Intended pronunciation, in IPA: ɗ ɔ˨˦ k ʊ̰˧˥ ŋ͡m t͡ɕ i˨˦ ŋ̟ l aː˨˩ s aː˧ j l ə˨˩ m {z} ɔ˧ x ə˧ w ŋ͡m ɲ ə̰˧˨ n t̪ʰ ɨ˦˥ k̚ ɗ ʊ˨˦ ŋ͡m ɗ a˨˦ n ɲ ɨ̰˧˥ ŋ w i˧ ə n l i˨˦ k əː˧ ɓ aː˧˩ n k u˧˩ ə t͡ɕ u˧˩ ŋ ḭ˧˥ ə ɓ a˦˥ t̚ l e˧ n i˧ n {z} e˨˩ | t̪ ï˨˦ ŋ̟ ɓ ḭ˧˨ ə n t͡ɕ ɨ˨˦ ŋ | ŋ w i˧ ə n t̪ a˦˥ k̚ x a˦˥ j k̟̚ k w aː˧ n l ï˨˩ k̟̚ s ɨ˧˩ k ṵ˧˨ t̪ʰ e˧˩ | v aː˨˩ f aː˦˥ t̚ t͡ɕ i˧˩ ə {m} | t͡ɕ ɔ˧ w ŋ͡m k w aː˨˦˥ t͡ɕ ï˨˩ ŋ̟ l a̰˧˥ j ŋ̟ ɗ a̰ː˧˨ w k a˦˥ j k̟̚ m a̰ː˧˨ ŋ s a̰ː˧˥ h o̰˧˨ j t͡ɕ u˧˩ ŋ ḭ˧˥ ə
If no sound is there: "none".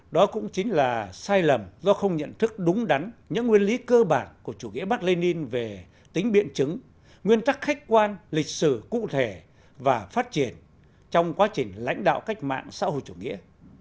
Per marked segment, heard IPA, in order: z, v, n

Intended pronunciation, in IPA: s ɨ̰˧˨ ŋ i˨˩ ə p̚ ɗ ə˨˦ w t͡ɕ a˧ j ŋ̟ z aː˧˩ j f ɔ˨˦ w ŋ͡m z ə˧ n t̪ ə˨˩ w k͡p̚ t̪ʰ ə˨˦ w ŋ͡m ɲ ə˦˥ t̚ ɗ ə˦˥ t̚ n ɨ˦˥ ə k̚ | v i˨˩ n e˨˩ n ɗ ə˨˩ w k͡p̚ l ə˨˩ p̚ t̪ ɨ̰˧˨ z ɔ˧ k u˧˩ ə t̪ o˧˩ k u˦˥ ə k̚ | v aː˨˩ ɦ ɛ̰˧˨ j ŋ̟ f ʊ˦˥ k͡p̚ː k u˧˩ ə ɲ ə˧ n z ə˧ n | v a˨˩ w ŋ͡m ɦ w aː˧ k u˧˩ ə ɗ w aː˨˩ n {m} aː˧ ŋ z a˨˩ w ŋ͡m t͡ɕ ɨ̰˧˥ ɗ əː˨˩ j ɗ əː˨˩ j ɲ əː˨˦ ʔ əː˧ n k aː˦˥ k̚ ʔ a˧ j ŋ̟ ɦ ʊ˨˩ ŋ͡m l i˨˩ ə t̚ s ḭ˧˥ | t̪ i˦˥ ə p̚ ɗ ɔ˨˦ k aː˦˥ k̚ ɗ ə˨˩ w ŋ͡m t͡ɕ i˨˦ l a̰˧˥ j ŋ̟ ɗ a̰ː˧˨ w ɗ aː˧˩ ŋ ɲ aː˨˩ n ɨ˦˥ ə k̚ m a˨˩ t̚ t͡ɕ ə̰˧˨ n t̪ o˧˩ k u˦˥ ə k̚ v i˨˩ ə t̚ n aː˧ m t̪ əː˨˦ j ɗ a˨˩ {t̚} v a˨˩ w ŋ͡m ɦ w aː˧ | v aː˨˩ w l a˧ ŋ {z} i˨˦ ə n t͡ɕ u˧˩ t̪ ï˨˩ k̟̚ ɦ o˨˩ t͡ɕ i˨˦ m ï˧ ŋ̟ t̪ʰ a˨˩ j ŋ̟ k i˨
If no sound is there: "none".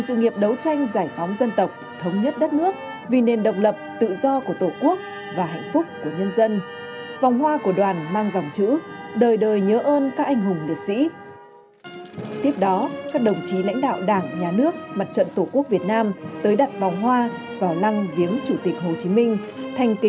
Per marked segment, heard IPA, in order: m, t̚, v

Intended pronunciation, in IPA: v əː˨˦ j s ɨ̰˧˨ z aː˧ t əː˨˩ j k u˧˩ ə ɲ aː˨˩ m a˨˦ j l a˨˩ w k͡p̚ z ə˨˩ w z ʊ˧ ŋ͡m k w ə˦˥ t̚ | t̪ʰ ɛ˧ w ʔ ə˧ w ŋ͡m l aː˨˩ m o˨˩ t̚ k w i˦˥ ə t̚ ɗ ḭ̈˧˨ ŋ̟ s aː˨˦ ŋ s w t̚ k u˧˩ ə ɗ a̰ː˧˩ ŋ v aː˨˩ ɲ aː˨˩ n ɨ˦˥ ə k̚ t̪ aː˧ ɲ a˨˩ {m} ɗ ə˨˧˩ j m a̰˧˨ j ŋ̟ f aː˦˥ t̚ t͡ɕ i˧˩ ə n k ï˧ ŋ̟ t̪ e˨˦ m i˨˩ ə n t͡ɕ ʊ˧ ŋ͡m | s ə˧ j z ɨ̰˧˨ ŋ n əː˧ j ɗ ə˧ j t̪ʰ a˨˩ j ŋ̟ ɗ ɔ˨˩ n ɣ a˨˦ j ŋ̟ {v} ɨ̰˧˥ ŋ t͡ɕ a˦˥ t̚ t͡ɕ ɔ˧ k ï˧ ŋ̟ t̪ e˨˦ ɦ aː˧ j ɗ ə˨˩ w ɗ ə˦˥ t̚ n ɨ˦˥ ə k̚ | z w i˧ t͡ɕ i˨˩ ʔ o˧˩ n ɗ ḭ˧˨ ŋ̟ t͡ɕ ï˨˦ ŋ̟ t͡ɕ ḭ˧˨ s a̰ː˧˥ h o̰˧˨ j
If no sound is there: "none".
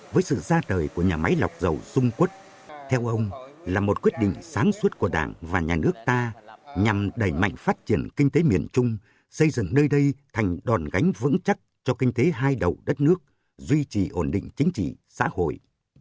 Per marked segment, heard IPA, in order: m, v

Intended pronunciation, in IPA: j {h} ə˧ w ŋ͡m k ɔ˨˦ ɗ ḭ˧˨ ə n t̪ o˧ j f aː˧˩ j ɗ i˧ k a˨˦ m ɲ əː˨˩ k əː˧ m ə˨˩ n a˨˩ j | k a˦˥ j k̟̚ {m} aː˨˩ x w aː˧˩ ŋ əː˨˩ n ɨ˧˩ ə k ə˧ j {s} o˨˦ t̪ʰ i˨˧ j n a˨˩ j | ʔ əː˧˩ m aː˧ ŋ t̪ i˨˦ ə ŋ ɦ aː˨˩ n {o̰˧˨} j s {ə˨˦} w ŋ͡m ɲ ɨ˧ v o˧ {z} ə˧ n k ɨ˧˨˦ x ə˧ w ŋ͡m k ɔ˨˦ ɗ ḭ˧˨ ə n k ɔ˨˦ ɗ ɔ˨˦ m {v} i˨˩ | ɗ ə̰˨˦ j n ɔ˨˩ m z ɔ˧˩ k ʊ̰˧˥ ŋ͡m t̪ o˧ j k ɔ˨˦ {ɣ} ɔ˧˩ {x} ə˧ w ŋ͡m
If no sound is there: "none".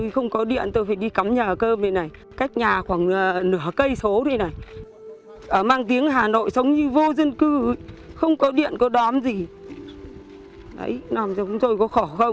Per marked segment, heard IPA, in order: x, ɲ, s, o̰˧˨, ə˨˦, z, z, x, x

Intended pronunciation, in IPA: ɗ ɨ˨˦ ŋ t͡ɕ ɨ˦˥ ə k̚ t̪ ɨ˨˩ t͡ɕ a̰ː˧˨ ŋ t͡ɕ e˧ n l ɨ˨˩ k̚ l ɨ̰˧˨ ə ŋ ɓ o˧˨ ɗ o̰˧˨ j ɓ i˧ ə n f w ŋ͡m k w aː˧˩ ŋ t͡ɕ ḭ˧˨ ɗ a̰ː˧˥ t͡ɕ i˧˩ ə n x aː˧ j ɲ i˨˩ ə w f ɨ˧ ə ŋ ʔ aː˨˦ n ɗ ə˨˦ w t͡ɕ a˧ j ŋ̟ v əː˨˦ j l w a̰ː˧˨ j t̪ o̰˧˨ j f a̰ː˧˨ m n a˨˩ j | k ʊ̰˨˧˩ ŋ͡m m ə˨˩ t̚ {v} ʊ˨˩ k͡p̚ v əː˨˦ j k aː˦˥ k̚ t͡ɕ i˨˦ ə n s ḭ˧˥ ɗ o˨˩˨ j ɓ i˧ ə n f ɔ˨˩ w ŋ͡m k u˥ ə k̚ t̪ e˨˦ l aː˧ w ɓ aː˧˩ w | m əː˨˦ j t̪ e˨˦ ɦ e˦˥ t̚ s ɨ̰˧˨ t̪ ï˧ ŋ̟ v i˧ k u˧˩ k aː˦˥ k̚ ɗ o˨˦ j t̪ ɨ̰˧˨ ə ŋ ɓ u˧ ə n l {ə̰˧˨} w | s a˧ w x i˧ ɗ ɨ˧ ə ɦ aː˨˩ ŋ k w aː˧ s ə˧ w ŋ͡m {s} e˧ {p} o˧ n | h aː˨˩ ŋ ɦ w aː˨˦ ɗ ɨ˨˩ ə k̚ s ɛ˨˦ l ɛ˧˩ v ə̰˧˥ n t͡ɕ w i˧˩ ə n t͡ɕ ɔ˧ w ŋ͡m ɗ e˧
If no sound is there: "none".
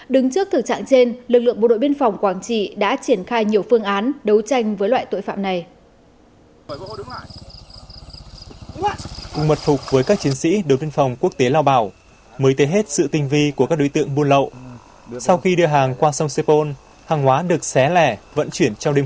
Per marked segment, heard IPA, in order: f, ə̰˧˨, s, p

